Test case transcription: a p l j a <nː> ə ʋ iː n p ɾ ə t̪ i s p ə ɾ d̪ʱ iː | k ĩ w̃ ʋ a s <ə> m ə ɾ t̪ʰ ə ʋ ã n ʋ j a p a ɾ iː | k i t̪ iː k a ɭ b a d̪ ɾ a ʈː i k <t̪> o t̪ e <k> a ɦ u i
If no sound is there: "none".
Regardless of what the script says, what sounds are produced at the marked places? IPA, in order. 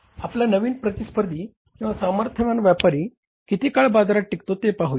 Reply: n, a, t̪, p

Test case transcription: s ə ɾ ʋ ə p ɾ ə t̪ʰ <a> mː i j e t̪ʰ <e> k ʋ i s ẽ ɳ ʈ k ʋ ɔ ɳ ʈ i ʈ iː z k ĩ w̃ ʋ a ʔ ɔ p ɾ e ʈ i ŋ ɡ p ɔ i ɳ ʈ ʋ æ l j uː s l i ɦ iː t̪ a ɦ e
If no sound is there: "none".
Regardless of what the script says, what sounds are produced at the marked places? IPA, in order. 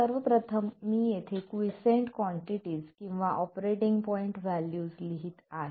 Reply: ə, e

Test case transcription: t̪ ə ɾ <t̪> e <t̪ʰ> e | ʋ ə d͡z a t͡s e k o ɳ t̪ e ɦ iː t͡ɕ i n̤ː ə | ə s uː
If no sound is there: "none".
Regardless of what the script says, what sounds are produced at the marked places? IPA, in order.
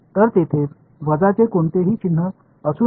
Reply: t̪, t̪ʰ

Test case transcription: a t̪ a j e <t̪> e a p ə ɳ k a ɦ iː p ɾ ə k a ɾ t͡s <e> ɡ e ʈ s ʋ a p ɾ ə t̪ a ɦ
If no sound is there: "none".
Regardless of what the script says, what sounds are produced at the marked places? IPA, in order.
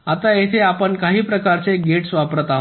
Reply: t̪ʰ, e

